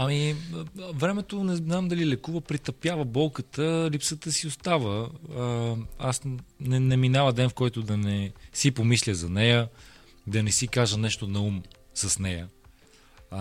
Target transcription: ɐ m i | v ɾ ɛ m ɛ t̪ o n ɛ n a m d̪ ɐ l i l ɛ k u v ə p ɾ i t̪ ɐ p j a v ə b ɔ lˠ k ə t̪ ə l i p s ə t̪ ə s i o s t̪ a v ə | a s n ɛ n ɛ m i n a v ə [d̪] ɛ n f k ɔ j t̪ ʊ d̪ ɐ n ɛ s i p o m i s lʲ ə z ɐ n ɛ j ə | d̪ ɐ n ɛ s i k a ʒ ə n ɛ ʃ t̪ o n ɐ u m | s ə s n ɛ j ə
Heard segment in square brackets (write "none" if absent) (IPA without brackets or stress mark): d̪